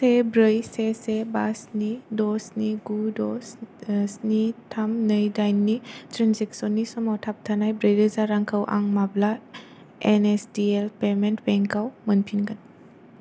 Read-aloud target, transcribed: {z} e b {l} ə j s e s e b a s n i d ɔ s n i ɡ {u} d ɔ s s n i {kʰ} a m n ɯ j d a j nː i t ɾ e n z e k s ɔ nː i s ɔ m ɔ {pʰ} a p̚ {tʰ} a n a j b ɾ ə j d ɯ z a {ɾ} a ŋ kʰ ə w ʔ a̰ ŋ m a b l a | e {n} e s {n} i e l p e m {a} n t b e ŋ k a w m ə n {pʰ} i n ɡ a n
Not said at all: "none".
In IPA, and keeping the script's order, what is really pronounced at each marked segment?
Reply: s, ɾ, u, tʰ, tʰ, tʰ, ɾ, n, d, e, pʰ

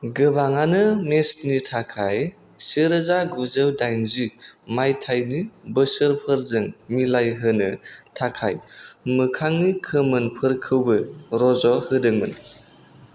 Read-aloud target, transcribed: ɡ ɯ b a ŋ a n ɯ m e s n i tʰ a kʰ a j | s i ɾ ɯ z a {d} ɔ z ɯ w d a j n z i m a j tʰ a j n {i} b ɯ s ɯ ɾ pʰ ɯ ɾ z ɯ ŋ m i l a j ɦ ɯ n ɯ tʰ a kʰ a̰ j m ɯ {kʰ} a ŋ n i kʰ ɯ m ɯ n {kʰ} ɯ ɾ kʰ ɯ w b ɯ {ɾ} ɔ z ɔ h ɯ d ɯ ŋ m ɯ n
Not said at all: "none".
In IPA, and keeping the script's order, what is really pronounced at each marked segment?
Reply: ɡ, i, kʰ, pʰ, ɾ

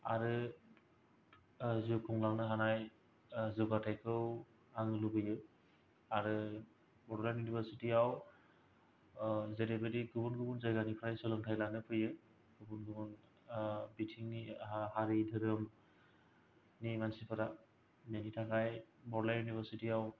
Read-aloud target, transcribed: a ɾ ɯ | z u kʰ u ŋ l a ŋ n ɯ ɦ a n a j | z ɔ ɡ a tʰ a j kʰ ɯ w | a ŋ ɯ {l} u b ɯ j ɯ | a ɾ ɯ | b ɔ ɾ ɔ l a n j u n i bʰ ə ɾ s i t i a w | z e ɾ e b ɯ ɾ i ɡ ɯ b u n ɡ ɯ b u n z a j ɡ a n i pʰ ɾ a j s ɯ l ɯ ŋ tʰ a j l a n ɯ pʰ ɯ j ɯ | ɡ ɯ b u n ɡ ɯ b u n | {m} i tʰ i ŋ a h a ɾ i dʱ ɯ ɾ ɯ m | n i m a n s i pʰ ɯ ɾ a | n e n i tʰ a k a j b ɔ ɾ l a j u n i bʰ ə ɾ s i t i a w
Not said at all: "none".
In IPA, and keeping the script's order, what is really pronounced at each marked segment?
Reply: l, b

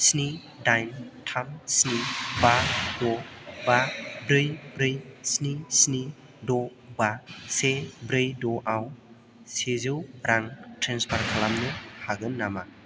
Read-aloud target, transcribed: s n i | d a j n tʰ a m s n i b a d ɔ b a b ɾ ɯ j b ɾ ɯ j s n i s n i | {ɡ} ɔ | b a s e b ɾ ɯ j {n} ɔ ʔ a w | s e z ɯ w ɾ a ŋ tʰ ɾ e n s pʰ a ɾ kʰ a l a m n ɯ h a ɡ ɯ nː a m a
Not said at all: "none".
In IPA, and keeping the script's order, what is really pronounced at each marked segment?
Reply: d, d

